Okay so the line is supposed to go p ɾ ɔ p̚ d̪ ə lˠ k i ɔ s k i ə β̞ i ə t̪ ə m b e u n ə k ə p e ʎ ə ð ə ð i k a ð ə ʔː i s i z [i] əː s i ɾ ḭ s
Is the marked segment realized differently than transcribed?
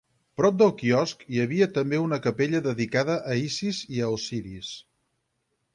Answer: no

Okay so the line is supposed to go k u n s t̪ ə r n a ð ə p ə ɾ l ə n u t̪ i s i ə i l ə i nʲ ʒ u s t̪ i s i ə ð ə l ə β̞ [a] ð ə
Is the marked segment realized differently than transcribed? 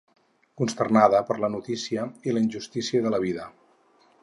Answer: yes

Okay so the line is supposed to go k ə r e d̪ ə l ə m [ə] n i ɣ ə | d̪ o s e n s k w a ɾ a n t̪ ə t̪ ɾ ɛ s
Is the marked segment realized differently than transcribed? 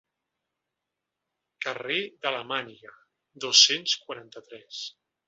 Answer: yes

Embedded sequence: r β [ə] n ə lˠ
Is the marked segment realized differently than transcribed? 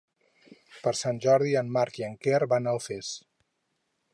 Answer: yes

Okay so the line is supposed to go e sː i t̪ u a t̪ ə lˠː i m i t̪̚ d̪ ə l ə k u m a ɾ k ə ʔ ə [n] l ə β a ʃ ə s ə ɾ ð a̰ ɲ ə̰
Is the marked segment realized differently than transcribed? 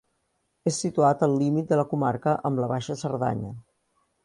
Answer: yes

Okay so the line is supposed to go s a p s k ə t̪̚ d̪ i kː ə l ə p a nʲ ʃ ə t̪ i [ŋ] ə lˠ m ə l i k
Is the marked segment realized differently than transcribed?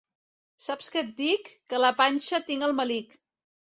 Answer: no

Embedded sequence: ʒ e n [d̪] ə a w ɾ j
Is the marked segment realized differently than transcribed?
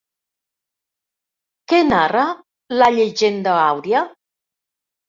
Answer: no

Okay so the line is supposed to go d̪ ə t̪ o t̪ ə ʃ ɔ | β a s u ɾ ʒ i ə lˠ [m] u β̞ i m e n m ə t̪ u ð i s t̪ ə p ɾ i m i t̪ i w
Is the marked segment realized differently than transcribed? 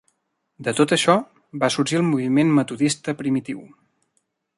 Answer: no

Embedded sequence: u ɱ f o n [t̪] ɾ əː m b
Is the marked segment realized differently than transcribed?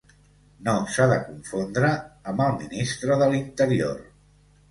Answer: yes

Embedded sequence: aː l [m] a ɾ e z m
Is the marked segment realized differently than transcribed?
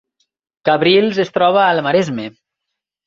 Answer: no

